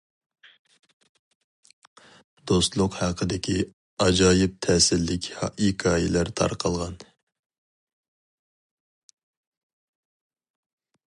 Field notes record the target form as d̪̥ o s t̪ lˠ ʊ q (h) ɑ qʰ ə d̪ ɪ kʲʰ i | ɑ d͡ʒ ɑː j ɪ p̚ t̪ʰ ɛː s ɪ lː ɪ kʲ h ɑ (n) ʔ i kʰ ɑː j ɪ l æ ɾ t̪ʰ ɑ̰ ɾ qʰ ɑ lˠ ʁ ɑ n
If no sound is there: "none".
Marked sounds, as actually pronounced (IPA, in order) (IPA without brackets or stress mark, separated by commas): h, none